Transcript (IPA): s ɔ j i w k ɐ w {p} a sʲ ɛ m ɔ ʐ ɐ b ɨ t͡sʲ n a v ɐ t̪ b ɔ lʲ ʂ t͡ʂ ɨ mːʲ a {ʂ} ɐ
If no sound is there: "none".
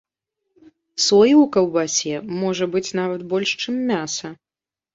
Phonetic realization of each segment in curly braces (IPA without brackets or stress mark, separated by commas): b, s